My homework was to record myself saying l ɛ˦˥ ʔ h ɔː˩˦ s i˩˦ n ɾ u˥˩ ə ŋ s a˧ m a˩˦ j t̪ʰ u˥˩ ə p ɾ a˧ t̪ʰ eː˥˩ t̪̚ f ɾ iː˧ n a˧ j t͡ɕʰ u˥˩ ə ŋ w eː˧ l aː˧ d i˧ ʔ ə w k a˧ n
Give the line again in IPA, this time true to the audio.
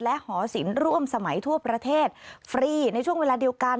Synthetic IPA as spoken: l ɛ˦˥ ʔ h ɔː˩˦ s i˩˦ n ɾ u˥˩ ə m s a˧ m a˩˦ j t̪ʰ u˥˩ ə p ɾ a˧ t̪ʰ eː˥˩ t̪̚ f ɾ iː˧ n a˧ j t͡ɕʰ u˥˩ ə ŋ w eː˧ l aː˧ d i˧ ə w k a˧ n